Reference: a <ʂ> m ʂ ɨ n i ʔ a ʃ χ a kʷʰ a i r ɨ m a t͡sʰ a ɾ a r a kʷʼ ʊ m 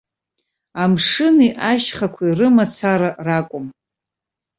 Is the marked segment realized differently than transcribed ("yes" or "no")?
yes